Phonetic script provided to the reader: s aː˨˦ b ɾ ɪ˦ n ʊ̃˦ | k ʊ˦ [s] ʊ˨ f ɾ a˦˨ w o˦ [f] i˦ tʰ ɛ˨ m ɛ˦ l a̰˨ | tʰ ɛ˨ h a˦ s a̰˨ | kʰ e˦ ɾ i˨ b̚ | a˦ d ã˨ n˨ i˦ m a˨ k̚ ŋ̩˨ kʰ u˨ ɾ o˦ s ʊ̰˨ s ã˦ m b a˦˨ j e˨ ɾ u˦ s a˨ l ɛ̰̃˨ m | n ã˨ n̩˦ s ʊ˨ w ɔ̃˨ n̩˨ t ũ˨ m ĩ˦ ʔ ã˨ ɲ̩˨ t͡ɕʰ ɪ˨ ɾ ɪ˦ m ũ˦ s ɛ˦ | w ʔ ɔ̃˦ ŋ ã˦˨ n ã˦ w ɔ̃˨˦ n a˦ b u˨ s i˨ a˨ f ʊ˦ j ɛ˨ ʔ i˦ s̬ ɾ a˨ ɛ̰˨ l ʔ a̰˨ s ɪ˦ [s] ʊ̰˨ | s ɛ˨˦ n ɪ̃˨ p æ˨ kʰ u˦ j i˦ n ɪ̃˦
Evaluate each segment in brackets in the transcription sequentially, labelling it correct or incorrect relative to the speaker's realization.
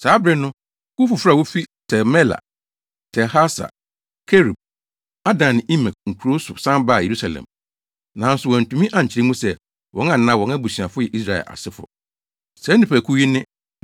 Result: incorrect: f, correct, incorrect: f

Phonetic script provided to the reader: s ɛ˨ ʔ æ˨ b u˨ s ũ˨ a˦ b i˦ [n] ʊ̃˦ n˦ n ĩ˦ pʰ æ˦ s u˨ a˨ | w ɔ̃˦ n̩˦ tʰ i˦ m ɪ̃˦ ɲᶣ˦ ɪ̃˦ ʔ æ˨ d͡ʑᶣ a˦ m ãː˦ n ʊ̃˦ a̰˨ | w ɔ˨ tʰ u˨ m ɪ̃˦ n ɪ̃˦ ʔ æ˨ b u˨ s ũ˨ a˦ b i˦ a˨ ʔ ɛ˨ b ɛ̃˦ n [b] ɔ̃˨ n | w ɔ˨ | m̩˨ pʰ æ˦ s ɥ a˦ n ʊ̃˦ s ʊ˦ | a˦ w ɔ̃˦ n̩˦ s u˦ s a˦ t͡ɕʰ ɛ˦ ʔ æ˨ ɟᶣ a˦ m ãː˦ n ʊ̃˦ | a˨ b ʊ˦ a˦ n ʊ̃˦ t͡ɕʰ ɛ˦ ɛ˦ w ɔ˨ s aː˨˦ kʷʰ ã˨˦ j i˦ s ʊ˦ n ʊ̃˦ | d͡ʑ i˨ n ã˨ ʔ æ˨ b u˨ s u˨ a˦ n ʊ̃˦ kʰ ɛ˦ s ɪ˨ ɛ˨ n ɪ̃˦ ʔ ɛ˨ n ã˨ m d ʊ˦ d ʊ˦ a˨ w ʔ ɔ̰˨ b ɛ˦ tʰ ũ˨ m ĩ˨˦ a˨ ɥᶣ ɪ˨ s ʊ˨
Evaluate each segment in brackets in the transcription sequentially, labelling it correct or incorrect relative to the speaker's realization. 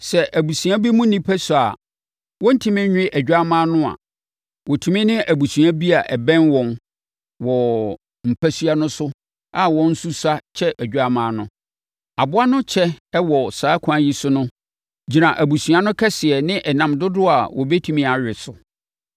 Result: incorrect: m, incorrect: w

